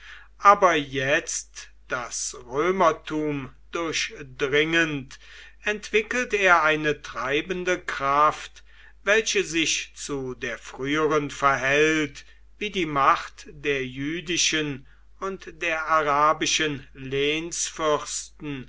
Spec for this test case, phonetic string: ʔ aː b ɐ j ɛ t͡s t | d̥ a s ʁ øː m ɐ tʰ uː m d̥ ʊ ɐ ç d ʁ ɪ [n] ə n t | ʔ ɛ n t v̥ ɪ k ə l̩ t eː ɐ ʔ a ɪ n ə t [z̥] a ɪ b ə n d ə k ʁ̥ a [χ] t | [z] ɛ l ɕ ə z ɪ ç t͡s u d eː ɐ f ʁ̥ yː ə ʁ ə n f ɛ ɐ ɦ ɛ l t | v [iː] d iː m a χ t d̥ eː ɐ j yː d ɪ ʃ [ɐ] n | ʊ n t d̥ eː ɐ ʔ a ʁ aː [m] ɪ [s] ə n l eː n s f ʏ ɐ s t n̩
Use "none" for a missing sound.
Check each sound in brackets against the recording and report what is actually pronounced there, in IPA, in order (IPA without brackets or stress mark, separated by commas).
ŋ, ʁ̥, f, v, iː, ə, b, ʃ